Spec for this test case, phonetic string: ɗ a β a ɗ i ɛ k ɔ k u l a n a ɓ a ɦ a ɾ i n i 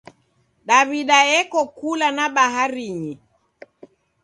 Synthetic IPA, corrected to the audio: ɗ a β i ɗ a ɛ k ɔ k u l a n a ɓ a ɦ a ɾ i ɲ i